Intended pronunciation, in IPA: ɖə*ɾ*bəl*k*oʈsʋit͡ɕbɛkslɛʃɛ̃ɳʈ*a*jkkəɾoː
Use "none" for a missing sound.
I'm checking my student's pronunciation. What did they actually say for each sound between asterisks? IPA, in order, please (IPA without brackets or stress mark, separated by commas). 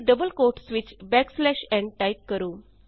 none, k, a